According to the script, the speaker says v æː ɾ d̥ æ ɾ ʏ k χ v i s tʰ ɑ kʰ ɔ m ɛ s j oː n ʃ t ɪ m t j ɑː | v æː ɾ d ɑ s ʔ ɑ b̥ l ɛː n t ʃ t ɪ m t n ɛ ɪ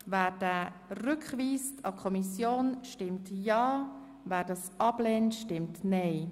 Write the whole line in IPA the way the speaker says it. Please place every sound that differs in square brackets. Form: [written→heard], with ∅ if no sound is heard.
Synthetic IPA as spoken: v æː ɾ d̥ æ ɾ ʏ k χ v [i→iː] s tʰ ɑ kʰ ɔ m [ɛ→i] s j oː n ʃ t ɪ m t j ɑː | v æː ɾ d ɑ s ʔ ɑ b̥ l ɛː n t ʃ t ɪ m t n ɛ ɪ